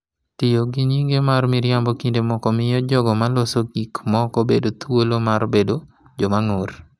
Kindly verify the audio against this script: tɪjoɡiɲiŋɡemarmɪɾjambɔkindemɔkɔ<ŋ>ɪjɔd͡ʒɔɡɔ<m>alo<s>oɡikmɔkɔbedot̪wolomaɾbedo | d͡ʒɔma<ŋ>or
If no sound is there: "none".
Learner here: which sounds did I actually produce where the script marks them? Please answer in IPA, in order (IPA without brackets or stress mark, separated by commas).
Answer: m, m, s, ŋ